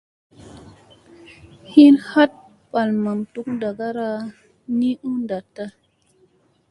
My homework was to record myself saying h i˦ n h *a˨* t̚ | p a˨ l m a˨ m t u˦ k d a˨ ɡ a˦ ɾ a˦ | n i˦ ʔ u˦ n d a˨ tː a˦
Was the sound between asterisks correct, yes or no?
no